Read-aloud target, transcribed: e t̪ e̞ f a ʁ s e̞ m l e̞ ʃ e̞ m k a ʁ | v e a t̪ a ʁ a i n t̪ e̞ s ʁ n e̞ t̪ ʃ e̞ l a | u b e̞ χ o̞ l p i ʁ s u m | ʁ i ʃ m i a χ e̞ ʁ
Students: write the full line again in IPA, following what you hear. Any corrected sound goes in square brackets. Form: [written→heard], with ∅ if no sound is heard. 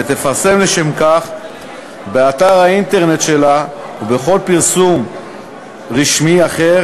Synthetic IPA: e t̪ e̞ f a ʁ s e̞ m l e̞ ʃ e̞ m k a [ʁ→χ] | [v→b] e a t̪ a ʁ a i n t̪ e̞ [s→∅] ʁ n e̞ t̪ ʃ e̞ l a | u b e̞ χ o̞ l p i ʁ s u m | ʁ i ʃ m i a χ e̞ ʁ